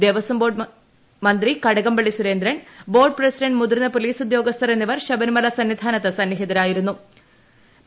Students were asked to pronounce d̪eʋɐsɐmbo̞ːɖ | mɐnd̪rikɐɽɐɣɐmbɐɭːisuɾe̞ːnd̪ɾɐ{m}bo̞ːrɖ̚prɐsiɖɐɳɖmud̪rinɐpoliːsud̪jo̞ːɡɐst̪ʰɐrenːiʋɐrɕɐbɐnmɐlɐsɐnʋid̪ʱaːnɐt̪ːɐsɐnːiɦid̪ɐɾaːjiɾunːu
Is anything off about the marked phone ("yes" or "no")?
yes